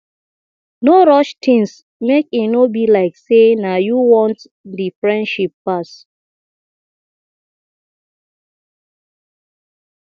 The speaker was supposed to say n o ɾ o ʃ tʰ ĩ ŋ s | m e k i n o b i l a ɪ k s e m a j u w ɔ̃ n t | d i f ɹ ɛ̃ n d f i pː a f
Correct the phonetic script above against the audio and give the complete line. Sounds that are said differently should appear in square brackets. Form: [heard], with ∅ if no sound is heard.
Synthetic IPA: n o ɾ [ɔ] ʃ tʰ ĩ ŋ s | m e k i n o b i l a ɪ k s e [n] a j u w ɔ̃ n t | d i f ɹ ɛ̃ n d [ʃ] i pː a [s]